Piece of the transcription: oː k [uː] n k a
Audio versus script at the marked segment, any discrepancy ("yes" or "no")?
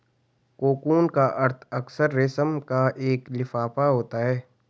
no